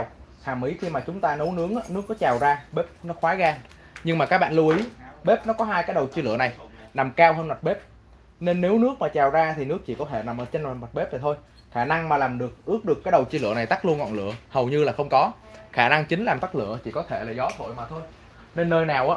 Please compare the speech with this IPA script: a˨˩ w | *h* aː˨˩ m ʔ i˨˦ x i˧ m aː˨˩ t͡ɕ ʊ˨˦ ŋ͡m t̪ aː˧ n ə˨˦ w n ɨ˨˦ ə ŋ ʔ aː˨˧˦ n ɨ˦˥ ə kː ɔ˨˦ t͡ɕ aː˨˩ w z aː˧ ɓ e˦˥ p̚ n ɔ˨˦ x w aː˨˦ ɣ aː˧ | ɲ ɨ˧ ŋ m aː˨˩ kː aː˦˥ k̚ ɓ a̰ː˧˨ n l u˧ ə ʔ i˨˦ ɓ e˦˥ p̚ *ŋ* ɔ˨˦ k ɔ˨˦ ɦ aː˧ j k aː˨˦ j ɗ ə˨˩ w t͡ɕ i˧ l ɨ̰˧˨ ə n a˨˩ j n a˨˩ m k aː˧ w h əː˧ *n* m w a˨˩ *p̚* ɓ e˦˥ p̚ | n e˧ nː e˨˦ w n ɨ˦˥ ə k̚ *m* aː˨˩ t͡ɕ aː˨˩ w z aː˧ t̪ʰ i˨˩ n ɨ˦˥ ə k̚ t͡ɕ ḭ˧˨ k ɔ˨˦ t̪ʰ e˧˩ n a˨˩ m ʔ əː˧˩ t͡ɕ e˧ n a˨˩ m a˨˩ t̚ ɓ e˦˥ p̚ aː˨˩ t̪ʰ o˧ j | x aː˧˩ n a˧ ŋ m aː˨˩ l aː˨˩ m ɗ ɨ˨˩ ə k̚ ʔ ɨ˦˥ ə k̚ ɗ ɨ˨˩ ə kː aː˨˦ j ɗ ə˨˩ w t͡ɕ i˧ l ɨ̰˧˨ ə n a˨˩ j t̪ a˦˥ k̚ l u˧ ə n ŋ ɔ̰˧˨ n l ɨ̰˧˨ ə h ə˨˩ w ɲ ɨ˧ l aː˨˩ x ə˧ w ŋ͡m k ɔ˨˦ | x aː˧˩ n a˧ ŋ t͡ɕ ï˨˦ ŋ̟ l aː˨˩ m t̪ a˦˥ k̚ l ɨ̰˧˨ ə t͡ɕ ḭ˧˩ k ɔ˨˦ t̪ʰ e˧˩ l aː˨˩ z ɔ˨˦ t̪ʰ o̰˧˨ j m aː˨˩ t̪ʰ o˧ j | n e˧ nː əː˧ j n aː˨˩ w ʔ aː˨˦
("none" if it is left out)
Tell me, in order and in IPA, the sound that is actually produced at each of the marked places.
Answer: h, n, n, t̚, m

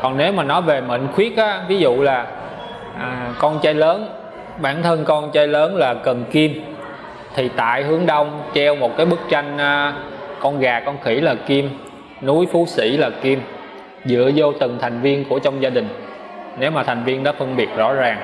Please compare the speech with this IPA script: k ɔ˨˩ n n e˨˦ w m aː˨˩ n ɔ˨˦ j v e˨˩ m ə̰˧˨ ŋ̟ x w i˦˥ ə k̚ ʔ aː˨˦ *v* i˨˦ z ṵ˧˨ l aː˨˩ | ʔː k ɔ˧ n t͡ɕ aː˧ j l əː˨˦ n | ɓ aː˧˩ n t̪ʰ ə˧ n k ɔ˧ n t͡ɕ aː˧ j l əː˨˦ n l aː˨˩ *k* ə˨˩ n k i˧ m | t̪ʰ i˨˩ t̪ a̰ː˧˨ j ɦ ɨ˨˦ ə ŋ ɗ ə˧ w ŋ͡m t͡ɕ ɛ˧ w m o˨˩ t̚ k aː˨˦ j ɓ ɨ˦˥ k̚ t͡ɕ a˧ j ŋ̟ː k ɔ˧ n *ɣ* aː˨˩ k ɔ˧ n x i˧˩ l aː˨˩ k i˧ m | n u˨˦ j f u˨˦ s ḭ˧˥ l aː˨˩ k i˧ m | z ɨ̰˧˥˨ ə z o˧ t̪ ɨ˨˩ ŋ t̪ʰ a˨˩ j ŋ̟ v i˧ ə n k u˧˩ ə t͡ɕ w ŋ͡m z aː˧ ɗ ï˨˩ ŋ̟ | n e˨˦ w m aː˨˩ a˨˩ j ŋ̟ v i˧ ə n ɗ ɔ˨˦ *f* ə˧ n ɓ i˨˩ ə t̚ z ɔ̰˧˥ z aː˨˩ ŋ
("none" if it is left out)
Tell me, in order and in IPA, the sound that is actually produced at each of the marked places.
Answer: v, k, ɣ, f

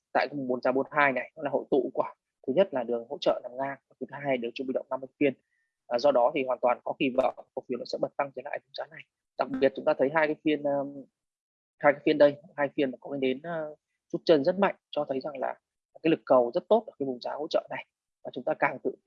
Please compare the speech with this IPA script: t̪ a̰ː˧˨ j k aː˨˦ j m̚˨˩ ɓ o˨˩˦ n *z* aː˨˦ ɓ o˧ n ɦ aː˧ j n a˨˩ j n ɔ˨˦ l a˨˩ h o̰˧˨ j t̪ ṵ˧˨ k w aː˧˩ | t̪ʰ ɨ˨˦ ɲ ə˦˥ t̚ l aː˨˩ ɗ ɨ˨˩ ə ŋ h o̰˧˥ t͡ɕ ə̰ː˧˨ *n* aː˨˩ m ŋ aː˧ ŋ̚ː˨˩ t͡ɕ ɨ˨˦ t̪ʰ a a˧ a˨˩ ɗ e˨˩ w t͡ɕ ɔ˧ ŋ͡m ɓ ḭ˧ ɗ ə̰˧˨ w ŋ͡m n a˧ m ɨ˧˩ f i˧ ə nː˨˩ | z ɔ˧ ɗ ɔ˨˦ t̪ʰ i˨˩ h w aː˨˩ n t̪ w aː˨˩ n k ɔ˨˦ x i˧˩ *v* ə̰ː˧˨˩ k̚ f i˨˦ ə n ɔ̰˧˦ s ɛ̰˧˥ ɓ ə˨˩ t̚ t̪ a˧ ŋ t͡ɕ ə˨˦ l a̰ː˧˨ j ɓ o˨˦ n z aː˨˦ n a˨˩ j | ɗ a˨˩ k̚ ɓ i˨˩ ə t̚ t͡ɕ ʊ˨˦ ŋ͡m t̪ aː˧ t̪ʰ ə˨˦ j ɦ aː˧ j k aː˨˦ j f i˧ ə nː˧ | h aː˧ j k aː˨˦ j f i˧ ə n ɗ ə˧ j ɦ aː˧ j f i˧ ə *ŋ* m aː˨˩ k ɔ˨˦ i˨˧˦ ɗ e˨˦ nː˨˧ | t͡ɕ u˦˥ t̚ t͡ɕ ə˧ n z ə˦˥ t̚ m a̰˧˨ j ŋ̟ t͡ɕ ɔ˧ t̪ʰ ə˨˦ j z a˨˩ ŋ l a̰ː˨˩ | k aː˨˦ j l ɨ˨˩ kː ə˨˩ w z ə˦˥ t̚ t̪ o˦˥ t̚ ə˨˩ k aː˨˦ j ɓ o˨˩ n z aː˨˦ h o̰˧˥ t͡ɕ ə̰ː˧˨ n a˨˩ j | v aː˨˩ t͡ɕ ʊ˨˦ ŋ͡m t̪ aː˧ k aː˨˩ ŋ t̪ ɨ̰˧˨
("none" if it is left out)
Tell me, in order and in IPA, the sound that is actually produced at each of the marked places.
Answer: z, n, v, n

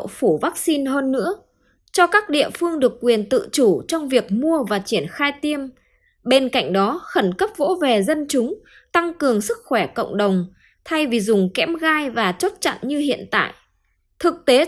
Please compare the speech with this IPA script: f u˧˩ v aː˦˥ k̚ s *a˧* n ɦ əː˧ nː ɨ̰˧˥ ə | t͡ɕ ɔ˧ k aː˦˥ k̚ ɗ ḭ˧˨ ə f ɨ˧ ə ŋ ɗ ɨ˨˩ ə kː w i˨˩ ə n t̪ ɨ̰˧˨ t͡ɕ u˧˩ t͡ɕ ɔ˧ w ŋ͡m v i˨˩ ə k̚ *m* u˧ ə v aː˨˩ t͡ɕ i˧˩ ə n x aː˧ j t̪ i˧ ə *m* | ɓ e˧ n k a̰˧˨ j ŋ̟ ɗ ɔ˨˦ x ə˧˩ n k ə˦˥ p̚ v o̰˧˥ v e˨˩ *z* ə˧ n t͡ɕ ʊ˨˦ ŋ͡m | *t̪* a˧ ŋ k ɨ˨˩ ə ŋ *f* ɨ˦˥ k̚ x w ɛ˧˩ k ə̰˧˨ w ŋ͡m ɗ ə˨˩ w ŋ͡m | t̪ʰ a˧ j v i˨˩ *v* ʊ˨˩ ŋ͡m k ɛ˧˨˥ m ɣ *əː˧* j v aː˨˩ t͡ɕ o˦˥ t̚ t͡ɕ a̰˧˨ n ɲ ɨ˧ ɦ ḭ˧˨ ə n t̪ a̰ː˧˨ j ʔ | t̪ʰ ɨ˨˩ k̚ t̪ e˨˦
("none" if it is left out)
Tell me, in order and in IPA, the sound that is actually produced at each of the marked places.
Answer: i˧, m, m, z, t̪, s, z, aː˧

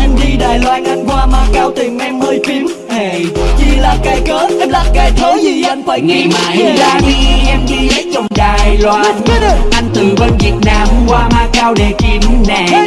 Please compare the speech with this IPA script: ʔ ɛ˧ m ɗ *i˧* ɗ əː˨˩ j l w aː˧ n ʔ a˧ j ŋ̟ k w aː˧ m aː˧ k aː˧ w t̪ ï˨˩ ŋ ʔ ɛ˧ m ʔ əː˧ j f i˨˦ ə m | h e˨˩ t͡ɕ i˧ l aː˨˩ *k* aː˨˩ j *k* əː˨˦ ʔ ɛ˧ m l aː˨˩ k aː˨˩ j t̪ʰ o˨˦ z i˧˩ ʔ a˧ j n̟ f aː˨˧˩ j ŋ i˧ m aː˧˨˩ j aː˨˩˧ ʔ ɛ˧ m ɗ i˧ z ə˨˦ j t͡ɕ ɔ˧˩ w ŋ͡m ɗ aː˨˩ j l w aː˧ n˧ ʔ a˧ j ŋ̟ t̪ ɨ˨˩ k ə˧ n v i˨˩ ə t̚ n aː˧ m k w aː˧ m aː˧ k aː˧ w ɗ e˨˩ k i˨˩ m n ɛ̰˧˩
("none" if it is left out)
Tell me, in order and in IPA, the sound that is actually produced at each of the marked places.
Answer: i˧, k, k

